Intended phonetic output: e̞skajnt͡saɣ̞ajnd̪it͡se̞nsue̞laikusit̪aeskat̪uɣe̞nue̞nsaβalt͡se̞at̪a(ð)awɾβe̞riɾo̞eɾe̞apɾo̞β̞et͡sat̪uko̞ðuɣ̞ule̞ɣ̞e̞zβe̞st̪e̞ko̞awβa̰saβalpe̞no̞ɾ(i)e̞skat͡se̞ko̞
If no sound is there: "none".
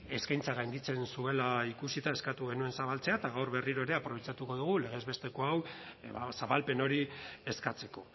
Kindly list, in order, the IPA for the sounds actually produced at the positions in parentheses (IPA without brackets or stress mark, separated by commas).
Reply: ɣ, i